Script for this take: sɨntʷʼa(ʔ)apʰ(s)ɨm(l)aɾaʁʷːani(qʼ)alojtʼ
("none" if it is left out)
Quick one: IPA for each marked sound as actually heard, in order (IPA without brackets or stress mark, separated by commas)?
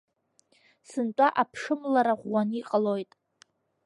ʔ, ʂ, l, qʼ